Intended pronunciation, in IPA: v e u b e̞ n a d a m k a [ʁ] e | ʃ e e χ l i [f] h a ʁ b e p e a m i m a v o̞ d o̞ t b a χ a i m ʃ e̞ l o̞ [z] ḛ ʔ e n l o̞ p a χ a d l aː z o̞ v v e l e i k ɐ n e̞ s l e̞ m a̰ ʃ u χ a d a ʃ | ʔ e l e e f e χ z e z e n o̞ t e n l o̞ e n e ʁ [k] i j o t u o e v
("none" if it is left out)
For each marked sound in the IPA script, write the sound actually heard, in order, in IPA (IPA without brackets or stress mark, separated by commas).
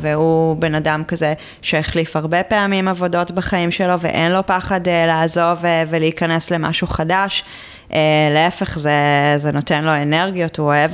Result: z, f, v, ɡ